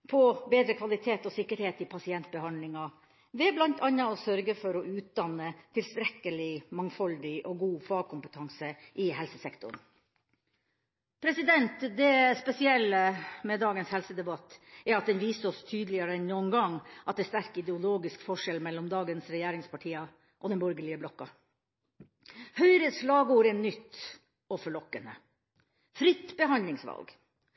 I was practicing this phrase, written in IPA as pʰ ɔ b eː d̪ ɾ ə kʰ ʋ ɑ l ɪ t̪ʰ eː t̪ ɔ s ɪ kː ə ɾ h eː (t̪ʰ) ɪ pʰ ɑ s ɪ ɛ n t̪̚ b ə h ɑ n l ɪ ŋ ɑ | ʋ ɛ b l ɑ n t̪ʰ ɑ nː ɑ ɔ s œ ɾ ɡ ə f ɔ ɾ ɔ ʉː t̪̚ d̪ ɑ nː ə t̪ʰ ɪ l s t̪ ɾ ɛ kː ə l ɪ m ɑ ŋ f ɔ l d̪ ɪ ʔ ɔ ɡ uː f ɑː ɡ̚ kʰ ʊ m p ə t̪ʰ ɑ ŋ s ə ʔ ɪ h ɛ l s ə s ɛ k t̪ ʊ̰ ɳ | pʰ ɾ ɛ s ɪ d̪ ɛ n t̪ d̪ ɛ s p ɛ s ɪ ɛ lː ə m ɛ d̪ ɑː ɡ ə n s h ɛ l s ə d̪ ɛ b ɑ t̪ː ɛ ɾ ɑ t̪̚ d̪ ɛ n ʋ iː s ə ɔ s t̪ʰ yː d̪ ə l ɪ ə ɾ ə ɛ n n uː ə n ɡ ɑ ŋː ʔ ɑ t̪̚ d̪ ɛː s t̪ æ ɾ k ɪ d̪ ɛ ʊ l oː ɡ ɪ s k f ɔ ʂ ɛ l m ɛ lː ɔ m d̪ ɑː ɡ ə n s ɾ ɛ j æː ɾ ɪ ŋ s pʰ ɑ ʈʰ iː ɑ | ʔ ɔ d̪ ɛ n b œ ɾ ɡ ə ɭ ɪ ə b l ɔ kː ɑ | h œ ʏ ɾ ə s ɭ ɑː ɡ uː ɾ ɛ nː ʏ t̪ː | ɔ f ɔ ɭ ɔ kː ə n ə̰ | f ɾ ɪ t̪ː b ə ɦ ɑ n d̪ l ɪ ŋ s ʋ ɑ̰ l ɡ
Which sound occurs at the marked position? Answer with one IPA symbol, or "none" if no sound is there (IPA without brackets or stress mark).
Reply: t̪